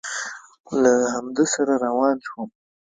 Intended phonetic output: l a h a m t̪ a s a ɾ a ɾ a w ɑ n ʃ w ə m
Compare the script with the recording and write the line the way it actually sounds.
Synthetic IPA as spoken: l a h a m d̪ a s a ɾ a ɾ a w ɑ n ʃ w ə m